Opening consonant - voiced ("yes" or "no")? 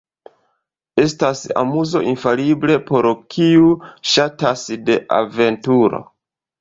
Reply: no